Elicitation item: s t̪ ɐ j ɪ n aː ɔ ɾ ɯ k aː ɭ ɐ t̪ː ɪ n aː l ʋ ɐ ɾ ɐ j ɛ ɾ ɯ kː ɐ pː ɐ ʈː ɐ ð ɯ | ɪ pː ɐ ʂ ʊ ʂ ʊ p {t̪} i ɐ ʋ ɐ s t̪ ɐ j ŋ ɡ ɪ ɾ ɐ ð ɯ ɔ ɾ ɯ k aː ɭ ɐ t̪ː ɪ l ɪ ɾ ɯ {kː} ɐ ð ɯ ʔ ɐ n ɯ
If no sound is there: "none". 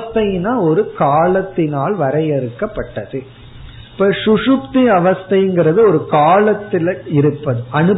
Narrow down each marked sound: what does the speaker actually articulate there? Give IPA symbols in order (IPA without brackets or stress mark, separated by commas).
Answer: t̪, pː